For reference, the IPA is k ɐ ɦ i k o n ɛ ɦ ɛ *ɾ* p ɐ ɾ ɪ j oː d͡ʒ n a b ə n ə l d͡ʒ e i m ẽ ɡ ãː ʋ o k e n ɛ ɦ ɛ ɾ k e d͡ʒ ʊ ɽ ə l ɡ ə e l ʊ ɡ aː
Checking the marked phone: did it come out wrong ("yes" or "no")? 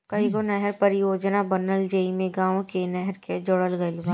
no